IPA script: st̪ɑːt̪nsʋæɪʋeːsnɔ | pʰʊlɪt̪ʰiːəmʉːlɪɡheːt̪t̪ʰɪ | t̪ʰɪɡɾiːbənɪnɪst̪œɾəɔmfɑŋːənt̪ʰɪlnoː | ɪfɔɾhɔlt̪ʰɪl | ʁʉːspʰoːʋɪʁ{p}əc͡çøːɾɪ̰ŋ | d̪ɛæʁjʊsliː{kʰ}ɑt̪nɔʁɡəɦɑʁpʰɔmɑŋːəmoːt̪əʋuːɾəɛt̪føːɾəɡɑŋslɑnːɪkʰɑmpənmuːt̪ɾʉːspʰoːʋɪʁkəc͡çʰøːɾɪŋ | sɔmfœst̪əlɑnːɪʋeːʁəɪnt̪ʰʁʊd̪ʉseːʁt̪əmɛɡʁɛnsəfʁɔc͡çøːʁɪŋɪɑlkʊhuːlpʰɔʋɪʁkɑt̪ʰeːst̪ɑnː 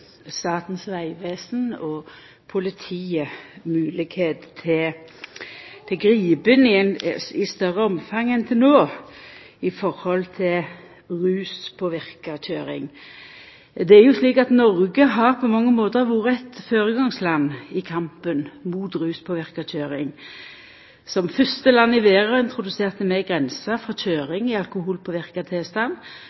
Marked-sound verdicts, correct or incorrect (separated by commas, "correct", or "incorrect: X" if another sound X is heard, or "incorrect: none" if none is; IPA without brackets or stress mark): incorrect: k, incorrect: k